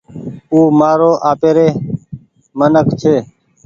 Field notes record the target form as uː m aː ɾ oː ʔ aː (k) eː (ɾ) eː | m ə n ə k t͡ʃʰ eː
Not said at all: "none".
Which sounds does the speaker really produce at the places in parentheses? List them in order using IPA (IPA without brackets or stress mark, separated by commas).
p, ɾ